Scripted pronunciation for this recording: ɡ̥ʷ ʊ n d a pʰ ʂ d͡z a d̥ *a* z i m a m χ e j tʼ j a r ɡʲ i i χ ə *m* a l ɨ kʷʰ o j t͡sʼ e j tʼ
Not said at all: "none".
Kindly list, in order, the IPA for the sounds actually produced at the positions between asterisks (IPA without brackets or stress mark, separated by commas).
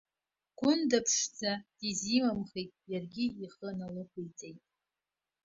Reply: i, n